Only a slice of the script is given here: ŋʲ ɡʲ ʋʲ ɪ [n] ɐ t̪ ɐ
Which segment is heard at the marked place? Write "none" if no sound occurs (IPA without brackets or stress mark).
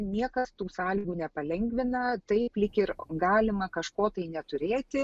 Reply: n